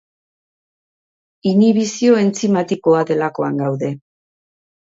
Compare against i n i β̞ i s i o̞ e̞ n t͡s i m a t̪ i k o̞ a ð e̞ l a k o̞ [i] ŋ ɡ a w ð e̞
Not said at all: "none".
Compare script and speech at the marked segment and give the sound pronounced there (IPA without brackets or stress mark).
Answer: a